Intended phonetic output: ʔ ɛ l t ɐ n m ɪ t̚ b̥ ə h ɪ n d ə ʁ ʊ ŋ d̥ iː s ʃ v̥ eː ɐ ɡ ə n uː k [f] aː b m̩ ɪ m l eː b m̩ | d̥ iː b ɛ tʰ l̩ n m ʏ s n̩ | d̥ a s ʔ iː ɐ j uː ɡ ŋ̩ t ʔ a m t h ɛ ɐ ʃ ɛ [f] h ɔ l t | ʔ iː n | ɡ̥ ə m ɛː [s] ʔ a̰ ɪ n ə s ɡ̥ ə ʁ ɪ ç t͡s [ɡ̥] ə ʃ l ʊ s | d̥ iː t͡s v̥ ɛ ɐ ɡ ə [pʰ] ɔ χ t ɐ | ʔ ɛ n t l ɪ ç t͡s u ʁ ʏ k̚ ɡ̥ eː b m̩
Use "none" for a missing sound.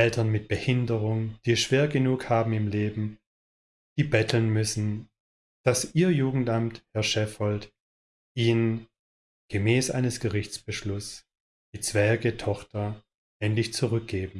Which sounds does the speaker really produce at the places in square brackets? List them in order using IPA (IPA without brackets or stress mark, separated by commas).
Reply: h, f, s, b̥, tʰ